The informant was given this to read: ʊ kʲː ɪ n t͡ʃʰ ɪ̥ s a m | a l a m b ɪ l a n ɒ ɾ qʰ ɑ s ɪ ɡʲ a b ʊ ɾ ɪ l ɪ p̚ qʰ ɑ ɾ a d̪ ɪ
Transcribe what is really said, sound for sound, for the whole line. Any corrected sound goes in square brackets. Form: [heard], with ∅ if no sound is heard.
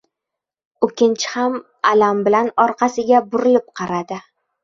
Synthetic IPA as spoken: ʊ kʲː ɪ n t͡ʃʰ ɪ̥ [h] a m | a l a m b ɪ l a n ɒ ɾ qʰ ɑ s ɪ ɡʲ a b ʊ ɾ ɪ l ɪ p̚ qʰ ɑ ɾ a d̪ ɪ